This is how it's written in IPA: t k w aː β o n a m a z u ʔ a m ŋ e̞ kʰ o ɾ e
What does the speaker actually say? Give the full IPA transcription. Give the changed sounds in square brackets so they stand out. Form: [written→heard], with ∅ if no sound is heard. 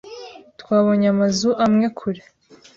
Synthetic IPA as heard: t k w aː β o [n→ɲ] a m a z u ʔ a m ŋ e̞ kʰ [o→u] ɾ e